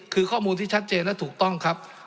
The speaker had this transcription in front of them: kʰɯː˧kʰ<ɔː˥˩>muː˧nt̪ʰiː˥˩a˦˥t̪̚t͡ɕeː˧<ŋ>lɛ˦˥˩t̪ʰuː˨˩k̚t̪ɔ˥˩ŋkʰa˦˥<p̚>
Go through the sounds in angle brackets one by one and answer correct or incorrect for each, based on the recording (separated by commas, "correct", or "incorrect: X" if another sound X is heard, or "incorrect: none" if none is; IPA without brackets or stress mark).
correct, incorrect: n, correct